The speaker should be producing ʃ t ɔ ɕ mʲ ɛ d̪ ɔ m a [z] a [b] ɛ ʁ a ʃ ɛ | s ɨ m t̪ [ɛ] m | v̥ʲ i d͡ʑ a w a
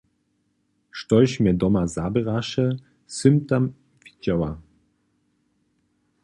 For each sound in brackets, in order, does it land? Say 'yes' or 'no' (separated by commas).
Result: yes, yes, no